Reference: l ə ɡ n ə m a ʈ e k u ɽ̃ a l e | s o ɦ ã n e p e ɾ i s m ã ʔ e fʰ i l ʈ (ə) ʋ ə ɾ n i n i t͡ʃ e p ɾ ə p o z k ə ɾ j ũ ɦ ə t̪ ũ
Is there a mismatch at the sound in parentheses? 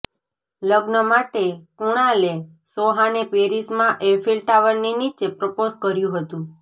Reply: yes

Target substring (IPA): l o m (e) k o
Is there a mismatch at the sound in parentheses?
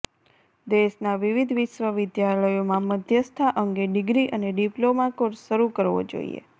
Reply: yes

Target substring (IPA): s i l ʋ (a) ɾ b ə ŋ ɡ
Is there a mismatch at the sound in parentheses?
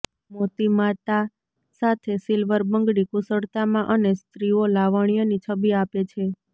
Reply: yes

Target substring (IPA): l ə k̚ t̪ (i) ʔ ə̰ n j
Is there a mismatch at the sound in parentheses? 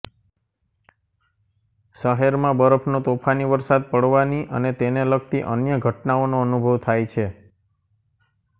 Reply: no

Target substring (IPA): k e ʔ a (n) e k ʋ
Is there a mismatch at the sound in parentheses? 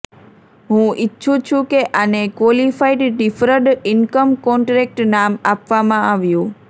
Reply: no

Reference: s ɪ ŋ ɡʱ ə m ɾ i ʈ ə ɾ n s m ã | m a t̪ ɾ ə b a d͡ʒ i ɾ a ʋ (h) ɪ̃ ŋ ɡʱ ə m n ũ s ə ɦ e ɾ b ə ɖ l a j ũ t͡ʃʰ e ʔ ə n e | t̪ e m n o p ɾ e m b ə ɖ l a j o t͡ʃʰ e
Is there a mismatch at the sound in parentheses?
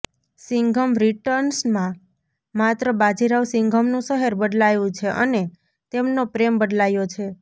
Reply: yes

